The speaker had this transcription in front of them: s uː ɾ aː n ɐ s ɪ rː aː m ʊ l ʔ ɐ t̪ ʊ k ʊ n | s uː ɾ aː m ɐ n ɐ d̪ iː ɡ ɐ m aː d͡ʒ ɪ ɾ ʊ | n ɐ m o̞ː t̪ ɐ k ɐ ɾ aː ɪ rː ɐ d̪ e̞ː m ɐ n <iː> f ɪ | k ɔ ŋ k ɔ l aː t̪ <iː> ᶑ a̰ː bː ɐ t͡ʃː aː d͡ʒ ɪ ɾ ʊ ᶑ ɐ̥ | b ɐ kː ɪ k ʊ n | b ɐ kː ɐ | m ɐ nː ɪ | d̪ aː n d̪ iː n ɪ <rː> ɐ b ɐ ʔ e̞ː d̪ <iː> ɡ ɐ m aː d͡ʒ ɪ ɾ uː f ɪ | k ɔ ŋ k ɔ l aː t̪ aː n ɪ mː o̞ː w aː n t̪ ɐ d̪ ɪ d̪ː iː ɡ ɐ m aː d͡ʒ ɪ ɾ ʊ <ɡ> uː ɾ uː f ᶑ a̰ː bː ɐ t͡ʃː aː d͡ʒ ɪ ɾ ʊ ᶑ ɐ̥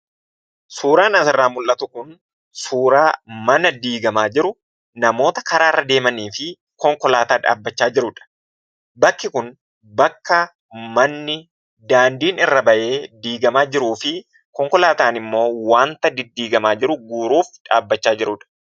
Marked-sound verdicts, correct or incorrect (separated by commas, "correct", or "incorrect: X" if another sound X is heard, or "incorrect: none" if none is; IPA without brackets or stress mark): correct, incorrect: aː, correct, correct, correct